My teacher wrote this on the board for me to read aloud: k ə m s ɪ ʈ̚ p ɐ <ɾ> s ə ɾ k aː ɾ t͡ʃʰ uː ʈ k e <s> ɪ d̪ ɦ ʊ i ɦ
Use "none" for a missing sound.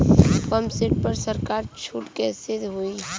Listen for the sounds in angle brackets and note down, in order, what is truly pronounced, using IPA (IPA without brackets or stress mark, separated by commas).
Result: ɾ, s